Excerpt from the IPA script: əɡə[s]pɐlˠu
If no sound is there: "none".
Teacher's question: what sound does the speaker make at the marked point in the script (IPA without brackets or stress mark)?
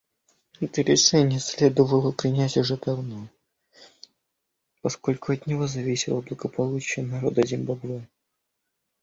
none